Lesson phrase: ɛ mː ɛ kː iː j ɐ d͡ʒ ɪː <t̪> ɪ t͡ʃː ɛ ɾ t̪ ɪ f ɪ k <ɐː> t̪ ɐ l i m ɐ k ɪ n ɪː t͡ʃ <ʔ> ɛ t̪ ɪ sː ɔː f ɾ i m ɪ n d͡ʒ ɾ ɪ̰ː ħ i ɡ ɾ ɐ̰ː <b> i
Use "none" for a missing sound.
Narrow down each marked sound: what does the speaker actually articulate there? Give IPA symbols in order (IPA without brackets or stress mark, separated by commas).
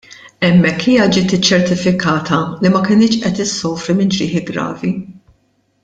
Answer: t̪, ɐː, ʔ, v